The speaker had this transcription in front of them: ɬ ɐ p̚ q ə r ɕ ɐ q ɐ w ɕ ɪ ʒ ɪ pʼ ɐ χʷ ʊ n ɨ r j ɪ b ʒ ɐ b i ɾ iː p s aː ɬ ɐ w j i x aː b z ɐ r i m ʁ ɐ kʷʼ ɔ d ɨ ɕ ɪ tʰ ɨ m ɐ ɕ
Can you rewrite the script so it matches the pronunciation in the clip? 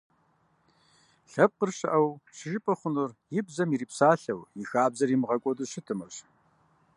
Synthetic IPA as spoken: ɬ ɐ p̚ q ə r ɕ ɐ ʔ ɐ w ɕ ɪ ʒ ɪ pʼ ɐ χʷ ʊ n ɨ r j ɪ b z ɐ m i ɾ iː p s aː ɬ ɐ w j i x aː b z ɐ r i m ʁ ɐ kʷʼ ɔ d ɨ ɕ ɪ tʰ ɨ m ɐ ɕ

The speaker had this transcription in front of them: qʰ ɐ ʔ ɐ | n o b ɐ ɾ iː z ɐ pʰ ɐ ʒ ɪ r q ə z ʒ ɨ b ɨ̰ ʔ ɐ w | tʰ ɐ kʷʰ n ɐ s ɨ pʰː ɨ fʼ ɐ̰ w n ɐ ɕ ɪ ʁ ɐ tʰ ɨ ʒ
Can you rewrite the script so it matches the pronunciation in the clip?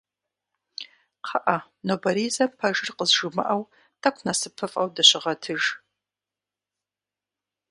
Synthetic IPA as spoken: qʰ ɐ ʔ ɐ | n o b ɐ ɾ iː z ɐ pʰ ɐ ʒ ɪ r q ə z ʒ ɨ m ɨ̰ ʔ ɐ w | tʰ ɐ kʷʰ n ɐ s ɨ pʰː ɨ fʼ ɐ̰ w d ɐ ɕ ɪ ʁ ɐ tʰ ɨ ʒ

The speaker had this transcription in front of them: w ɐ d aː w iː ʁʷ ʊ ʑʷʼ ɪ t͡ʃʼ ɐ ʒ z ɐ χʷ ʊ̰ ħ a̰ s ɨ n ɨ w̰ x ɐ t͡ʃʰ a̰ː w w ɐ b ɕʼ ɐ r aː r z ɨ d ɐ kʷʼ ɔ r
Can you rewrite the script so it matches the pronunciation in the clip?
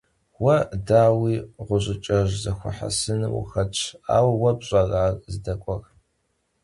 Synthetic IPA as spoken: w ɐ d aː w iː ʁʷ ʊ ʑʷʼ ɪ t͡ʃʼ ɐ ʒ z ɐ xʷ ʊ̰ ħ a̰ s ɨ n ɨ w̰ x ɐ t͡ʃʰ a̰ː w w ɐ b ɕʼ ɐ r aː r z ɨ d ɐ kʷʼ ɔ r

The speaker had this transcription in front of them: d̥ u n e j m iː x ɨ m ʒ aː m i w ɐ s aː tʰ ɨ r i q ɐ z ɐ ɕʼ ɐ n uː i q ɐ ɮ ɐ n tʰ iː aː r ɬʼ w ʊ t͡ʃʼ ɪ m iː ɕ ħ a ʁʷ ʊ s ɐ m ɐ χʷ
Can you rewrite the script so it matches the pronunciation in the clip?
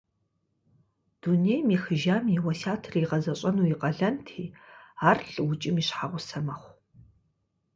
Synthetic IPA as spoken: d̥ u n e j m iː x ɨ ʒ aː m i w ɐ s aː tʰ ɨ r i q ɐ z ɐ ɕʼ ɐ n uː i q ɐ ɮ ɐ n tʰ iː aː r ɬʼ w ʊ t͡ʃʼ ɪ m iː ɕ ħ a ʁʷ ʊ s ɐ m ɐ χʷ

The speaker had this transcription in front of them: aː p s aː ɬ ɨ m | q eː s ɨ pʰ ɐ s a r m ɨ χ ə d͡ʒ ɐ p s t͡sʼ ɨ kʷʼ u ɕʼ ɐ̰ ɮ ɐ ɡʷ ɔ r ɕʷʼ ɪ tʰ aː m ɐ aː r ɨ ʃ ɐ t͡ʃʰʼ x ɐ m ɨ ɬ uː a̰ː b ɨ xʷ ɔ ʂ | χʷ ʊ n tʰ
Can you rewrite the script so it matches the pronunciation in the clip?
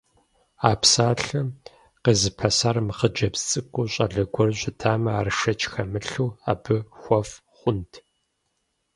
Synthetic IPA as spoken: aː p s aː ɬ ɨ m | q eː z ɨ pʰ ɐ s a r m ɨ χ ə d͡ʒ ɐ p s t͡sʼ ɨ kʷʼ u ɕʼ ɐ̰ ɮ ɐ ɡʷ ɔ r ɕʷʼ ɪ tʰ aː m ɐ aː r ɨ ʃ ɐ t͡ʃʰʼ x ɐ m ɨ ɬ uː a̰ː b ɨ xʷ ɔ f | χʷ ʊ n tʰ

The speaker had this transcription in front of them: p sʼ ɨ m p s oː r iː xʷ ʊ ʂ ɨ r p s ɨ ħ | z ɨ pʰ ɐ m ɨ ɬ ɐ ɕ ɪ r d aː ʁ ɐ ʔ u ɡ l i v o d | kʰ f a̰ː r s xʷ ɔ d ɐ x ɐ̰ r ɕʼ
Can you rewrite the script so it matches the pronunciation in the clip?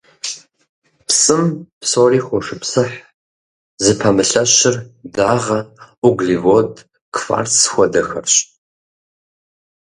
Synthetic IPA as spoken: p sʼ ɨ m p s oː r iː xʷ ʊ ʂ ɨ p s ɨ ħ | z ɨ pʰ ɐ m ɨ ɬ ɐ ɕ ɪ r d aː ʁ ɐ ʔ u ɡ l i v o d | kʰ f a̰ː r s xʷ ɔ d ɐ x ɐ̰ r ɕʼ

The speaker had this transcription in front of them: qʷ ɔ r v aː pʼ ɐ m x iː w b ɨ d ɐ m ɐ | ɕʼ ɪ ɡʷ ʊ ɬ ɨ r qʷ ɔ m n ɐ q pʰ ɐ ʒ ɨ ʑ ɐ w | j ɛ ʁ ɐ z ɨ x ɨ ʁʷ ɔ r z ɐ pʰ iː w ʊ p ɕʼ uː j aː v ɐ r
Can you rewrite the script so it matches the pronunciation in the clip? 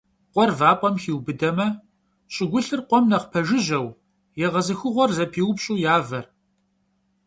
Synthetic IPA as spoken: qʷ ɔ r v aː pʼ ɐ m x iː w b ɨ d ɐ m ɐ | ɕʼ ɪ ɡʷ ʊ ɬ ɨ r qʷ ɔ m n ɐ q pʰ ɐ ʒ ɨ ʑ ɐ w | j ɛ ʁ ɐ z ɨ x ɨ ʁʷ ɔ r z ɐ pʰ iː w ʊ p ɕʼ uː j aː v ɐ r

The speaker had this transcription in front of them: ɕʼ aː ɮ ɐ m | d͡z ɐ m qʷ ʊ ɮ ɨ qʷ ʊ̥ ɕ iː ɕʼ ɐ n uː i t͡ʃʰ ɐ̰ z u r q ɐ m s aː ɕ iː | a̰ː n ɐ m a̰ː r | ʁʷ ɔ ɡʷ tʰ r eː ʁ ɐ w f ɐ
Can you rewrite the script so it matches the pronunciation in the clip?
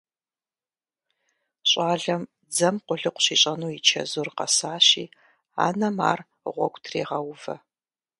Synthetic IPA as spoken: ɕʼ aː ɮ ɐ m | d͡z ɐ m qʷ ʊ ɮ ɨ qʷ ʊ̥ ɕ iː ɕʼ ɐ n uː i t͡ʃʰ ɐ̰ z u r q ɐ s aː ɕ iː | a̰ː n ɐ m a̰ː r | ʁʷ ɔ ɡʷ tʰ r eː ʁ ɐ w v ɐ

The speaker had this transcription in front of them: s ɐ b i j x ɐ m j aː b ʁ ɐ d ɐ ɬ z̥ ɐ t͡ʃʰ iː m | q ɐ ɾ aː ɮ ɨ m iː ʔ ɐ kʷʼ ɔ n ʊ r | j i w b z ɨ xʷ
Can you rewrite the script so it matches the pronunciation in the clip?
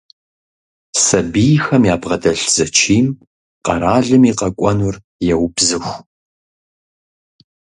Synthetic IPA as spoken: s ɐ b i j x ɐ m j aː b ʁ ɐ d ɐ ɬ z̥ ɐ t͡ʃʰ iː m | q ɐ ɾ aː ɮ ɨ m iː q ɐ kʷʼ ɔ n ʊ r | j ɛ w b z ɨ xʷ

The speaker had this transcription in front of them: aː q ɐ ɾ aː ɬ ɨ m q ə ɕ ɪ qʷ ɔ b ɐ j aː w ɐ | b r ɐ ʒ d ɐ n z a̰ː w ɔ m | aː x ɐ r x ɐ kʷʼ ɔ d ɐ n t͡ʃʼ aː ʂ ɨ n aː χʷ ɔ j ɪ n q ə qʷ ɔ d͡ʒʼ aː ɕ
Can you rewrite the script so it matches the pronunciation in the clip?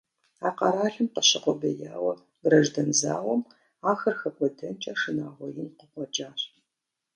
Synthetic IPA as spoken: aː q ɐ ɾ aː ɬ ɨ m q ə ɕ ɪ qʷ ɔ b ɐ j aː w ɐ | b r ɐ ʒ d ɐ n z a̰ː w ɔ m | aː x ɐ r x ɐ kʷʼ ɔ d ɐ n t͡ʃʼ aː ʂ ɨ n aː ʁʷ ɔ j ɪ n q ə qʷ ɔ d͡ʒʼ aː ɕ

